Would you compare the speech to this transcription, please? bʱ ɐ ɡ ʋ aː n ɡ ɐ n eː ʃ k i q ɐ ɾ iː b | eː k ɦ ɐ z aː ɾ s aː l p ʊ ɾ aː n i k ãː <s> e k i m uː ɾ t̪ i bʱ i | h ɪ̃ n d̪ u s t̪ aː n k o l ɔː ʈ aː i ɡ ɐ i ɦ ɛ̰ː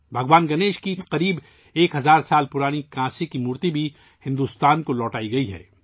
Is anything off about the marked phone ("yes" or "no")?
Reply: no